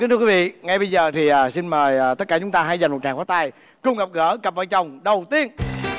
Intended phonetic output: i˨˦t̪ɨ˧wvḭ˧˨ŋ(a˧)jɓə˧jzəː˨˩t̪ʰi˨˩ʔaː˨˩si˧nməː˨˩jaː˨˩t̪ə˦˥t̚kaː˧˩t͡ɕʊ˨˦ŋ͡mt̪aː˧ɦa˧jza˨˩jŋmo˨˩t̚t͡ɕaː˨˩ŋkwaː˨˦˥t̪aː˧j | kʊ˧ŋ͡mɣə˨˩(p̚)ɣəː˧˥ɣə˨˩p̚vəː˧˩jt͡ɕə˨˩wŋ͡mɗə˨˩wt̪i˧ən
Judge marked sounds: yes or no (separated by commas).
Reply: yes, yes